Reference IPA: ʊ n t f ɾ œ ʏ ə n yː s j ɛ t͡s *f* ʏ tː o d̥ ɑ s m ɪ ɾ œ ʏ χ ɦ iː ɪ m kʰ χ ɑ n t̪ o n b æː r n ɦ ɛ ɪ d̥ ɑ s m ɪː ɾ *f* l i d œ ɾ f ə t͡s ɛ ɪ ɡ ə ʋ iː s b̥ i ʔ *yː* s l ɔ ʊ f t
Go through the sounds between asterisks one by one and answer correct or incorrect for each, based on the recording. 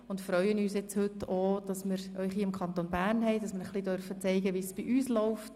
incorrect: h, incorrect: χ, correct

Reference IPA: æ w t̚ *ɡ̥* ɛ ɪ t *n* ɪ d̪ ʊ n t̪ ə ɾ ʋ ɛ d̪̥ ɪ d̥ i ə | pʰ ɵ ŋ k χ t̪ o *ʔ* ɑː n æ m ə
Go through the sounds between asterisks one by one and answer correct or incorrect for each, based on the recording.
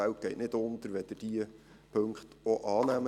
correct, correct, correct

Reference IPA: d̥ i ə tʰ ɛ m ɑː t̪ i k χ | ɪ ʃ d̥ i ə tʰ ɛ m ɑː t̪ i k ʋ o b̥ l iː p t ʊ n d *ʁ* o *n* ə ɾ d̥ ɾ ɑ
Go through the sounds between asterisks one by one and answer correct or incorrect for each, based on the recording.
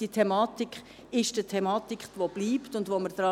incorrect: v, incorrect: m

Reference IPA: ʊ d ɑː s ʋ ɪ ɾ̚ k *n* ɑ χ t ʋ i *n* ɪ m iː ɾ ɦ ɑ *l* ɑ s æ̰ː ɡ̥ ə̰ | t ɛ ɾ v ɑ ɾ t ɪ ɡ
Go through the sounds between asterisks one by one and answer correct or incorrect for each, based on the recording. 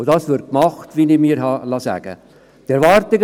incorrect: m, correct, correct

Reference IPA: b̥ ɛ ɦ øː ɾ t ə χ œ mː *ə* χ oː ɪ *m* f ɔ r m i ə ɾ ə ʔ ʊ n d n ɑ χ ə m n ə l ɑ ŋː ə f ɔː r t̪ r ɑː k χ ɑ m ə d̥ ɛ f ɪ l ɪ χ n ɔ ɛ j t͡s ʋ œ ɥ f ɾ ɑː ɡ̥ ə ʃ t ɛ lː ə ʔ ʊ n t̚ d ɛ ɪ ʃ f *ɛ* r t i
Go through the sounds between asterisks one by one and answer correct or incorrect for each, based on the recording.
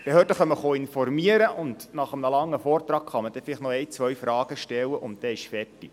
correct, incorrect: n, correct

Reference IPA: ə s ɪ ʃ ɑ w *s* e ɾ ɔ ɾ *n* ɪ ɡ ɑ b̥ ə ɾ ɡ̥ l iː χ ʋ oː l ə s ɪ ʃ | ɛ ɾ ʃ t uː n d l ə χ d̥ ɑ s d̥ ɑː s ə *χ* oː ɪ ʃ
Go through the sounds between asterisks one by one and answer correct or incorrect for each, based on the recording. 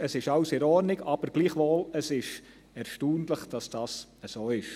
correct, correct, incorrect: s

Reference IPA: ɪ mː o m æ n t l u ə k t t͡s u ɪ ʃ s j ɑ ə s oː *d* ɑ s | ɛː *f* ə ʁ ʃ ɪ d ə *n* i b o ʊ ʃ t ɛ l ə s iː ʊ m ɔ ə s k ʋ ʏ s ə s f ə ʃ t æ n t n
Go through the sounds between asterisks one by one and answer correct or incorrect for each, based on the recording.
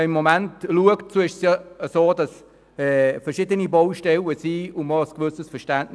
correct, correct, correct

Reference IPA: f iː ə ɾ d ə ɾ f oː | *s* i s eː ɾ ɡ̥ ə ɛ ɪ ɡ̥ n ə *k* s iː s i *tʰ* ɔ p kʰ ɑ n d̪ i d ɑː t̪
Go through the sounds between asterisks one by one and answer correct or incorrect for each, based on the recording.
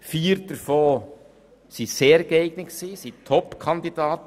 correct, correct, correct

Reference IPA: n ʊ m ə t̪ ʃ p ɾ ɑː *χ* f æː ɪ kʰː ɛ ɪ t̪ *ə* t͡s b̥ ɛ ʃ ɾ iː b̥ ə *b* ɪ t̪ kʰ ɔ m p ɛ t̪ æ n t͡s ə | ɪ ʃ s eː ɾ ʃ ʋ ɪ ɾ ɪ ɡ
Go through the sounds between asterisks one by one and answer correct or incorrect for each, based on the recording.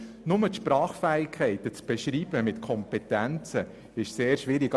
correct, correct, incorrect: m

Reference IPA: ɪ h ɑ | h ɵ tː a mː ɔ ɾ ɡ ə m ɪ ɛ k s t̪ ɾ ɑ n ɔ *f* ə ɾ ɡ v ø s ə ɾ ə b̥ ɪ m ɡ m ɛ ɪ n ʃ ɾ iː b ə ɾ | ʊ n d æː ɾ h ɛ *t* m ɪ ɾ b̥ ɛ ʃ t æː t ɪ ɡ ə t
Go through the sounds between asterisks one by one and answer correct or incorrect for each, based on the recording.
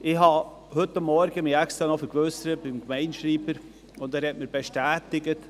correct, correct

